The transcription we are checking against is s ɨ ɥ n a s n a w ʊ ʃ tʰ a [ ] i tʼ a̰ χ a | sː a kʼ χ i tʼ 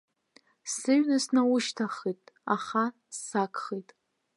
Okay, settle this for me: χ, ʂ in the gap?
χ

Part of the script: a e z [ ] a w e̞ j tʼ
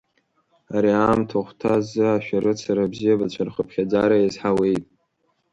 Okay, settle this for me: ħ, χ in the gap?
ħ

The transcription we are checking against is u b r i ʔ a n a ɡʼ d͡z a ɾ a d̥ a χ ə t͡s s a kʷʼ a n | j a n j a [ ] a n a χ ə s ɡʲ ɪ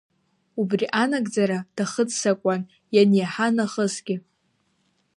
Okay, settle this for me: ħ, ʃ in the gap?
ħ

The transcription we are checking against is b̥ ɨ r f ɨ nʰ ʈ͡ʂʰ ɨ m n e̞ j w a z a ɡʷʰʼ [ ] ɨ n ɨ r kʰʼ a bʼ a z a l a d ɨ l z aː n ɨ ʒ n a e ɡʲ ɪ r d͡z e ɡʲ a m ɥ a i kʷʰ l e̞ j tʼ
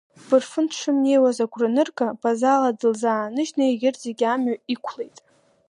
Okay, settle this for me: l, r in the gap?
r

